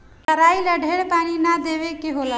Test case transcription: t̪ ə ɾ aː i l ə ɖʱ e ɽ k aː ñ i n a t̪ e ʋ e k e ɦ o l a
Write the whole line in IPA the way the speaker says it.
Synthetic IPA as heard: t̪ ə ɾ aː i l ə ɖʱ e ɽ p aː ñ i n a d̪ e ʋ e k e ɦ o l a